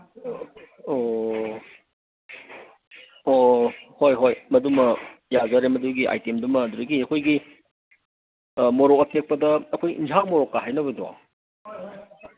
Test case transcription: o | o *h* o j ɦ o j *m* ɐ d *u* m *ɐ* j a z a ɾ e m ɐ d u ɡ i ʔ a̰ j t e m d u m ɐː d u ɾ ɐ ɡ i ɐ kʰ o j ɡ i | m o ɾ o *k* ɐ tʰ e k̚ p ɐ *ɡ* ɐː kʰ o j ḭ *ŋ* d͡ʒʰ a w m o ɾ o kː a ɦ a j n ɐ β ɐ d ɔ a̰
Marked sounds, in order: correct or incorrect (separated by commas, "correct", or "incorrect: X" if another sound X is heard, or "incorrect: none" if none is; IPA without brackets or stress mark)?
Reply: correct, correct, correct, correct, correct, incorrect: d, incorrect: n